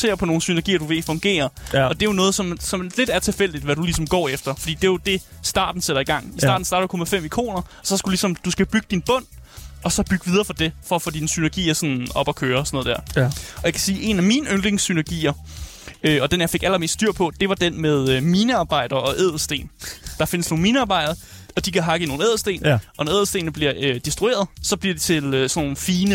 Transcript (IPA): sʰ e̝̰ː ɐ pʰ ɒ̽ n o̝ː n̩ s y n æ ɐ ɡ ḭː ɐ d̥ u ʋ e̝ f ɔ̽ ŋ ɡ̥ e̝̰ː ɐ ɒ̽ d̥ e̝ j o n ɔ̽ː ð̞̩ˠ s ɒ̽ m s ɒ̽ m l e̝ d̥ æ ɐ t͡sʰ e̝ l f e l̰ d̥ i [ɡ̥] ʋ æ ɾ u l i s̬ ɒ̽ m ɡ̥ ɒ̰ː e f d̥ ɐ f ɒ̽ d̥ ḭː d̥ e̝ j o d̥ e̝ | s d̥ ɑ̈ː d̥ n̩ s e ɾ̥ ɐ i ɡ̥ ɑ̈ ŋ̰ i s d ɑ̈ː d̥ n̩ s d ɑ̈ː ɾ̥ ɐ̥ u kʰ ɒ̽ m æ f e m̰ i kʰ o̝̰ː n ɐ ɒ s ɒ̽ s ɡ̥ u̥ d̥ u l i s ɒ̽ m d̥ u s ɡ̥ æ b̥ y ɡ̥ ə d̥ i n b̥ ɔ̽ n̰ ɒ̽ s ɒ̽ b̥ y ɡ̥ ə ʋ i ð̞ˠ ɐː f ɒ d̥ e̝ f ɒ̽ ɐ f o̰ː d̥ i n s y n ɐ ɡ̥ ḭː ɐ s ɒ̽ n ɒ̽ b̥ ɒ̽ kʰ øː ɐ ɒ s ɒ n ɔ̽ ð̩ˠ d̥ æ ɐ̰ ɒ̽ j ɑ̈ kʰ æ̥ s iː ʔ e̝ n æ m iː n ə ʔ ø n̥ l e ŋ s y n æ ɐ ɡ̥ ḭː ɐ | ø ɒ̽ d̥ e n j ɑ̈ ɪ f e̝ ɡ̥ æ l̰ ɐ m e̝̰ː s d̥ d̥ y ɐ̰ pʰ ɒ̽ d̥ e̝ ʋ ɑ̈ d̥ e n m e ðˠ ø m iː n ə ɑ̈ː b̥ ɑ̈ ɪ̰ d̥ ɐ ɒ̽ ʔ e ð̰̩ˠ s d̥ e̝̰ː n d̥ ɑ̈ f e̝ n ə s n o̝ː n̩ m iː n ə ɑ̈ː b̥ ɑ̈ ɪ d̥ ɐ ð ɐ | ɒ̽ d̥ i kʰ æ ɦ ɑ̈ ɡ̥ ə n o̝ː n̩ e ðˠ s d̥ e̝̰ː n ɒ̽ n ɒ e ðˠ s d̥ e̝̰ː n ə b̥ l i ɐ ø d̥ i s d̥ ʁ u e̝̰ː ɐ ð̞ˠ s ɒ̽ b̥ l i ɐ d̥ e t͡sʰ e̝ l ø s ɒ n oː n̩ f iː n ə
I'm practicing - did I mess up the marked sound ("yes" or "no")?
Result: yes